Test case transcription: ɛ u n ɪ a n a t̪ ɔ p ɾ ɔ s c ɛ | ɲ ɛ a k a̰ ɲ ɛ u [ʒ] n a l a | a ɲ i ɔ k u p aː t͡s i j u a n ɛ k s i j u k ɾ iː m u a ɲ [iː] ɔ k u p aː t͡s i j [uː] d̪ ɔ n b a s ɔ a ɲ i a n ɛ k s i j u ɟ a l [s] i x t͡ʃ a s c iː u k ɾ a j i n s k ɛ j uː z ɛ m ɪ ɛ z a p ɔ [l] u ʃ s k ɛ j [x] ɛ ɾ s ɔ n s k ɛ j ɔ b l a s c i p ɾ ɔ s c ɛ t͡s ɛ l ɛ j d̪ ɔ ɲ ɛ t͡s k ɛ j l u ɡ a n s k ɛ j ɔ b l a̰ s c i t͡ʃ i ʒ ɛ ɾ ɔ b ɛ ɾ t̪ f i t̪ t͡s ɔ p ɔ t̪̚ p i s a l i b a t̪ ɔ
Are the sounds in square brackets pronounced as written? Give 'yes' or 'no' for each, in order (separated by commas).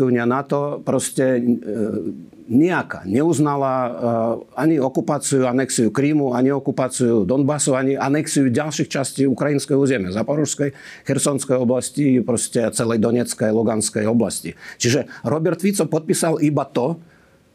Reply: no, no, no, no, no, yes